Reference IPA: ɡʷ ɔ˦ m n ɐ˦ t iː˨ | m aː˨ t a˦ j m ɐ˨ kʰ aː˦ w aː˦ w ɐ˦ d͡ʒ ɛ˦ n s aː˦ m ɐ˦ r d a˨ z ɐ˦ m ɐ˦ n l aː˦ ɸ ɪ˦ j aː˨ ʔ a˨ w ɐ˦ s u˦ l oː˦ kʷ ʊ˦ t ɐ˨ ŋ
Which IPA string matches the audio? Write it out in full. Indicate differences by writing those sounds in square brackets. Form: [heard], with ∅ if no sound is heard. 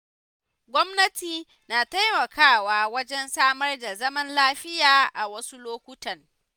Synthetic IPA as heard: ɡʷ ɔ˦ m n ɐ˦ t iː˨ | [n] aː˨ t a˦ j m ɐ˨ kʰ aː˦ w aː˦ w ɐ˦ d͡ʒ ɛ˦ n s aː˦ m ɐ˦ r d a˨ z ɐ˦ m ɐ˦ n l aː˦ ɸ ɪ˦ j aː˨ ʔ a˨ w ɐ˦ s u˦ l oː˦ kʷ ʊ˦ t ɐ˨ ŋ